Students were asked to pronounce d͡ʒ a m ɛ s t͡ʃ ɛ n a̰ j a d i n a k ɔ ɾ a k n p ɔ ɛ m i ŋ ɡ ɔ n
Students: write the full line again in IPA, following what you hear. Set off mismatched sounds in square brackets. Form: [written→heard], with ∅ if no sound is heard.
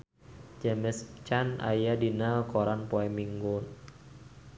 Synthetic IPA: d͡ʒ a m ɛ s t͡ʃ [ɛ→a] n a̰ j a d i n a k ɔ ɾ a [k→∅] n p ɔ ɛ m i ŋ ɡ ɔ n